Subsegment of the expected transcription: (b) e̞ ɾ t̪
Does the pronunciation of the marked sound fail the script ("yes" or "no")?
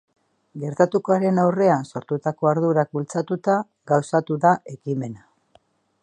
yes